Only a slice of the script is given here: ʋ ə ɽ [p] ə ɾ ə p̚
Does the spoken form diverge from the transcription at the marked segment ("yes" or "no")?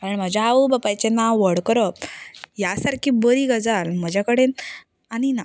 yes